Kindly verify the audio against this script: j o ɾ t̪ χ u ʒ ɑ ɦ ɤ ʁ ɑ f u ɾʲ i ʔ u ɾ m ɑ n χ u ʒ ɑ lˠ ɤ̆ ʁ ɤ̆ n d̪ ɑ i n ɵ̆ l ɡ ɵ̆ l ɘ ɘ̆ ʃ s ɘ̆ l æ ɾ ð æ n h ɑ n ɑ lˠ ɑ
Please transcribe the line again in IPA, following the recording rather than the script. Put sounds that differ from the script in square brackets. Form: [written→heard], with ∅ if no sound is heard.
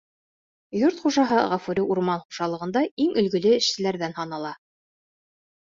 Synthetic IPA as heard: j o ɾ t̪ χ u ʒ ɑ ɦ ɤ ʁ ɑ f u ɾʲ i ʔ u ɾ m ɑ n χ u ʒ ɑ lˠ ɤ̆ ʁ ɤ̆ n d̪ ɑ i [n→ŋ] ɵ̆ l ɡ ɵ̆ l ɘ ɘ̆ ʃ s ɘ̆ l æ ɾ ð æ n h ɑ n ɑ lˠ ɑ